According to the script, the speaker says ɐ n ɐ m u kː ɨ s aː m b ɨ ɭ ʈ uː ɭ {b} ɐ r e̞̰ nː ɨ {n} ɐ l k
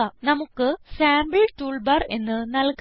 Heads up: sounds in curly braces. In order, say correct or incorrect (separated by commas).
correct, correct